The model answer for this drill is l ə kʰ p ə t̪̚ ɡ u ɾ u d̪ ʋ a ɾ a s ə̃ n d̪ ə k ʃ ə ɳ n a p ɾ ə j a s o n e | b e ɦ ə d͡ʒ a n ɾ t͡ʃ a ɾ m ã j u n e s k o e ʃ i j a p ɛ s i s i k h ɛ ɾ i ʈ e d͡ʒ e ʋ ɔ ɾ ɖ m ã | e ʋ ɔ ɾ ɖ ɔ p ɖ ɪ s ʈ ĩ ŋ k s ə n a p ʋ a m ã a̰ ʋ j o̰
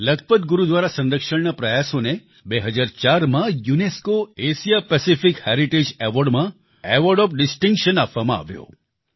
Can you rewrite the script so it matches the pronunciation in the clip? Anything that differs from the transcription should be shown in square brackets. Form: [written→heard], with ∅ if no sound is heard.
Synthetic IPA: l ə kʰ p ə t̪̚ ɡ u ɾ u d̪ ʋ a ɾ a s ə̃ n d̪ ə k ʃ ə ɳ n a p ɾ ə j a s o n e | b e ɦ ə d͡ʒ a [n→∅] ɾ t͡ʃ a ɾ m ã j u n e s k o e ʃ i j a p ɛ s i [s→f] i k h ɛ ɾ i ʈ e d͡ʒ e ʋ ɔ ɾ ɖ m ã | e ʋ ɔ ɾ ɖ ɔ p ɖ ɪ s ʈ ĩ ŋ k [s→ʃ] ə n a p ʋ a m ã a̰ ʋ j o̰

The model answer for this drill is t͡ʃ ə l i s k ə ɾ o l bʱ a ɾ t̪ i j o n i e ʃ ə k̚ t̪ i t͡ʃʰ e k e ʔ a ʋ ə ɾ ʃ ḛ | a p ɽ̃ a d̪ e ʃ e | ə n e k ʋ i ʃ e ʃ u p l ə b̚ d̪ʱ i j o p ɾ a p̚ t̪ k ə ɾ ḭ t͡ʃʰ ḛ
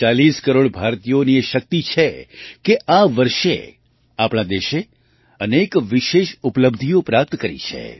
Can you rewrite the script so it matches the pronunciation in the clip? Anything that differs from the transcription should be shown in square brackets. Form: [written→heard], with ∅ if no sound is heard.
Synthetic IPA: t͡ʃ [ə→a] l i s k ə ɾ o [l→ɽ] bʱ a ɾ t̪ i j o n i e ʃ ə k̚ t̪ i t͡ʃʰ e k e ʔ a ʋ ə ɾ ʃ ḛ | a p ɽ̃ a d̪ e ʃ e | ə n e k ʋ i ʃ e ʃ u p l ə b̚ d̪ʱ i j o p ɾ a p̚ t̪ k ə ɾ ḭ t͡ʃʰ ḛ

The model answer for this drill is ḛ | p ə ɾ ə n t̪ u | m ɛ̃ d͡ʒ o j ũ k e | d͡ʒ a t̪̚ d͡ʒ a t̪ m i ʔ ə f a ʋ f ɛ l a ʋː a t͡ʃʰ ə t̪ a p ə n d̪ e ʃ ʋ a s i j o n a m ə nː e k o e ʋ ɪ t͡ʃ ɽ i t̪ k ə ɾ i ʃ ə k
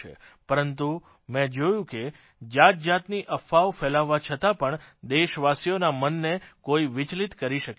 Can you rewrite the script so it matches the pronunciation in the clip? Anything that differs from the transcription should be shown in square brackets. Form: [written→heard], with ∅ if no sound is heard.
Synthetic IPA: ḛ | p ə ɾ ə n t̪ u | m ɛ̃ d͡ʒ o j ũ k e | d͡ʒ a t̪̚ d͡ʒ a t̪ [m→n] i ʔ ə f a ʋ f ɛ l a ʋː a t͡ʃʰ ə t̪ a p ə [n→ɳ] d̪ e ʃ ʋ a s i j o n a m ə nː e k o [e→i] ʋ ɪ t͡ʃ [ɽ→l] i t̪ k ə ɾ i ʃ ə k

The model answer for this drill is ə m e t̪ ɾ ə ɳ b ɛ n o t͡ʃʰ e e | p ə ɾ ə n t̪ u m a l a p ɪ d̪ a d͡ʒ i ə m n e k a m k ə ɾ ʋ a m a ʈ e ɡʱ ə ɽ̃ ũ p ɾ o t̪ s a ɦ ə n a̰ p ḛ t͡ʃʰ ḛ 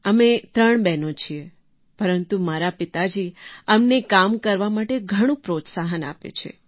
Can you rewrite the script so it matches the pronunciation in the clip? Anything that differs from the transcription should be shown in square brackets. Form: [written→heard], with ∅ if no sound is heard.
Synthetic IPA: ə m e t̪ ɾ ə ɳ b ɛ n o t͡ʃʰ [e→i] e | p ə ɾ ə n t̪ u m a [l→ɾ] a p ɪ [d̪→t̪] a d͡ʒ i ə m n e k a m k ə ɾ ʋ a m a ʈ e ɡʱ ə ɽ̃ ũ p ɾ o t̪ s a ɦ ə n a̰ p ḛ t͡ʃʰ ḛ

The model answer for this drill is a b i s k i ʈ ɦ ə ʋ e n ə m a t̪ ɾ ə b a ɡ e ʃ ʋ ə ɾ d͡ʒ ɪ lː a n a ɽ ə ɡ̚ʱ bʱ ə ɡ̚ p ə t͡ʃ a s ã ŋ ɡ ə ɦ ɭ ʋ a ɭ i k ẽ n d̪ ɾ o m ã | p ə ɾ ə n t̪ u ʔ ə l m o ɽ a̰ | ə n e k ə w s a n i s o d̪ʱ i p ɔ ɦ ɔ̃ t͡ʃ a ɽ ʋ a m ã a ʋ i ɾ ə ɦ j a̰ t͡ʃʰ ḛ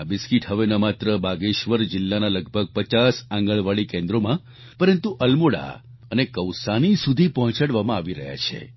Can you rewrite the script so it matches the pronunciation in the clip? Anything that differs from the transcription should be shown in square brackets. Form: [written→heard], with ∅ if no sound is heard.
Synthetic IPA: a b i s k i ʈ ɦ ə ʋ e n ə m a t̪ ɾ ə b a ɡ e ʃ ʋ ə ɾ d͡ʒ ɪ lː a n a [ɽ→l] ə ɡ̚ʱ bʱ ə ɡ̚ p ə t͡ʃ a s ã ŋ ɡ ə [ɦ→∅] ɭ ʋ a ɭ i k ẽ n d̪ ɾ o m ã | p ə ɾ ə n t̪ u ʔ ə l m o ɽ a̰ | ə n e k ə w s a n i s [o→u] d̪ʱ i p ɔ ɦ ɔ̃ t͡ʃ a ɽ ʋ a m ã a ʋ i ɾ ə ɦ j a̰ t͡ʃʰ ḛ

